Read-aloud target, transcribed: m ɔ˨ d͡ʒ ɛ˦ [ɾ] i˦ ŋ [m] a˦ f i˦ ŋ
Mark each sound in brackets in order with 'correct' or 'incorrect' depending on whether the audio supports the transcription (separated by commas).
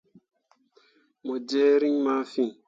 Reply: correct, correct